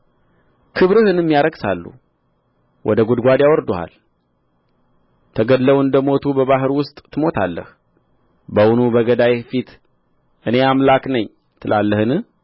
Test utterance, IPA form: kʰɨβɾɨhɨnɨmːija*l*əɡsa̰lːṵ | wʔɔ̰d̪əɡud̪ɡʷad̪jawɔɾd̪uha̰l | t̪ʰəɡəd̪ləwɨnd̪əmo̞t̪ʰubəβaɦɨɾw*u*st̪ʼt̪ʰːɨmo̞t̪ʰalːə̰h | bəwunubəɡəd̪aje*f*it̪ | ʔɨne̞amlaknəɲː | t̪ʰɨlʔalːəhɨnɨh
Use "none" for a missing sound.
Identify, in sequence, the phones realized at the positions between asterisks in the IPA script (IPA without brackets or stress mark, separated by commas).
ɾ, ʊ, f